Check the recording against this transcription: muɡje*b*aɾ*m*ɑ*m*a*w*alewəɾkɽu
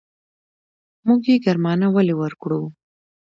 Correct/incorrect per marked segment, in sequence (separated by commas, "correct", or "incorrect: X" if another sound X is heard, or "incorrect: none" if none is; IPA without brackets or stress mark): incorrect: ɡ, correct, incorrect: n, correct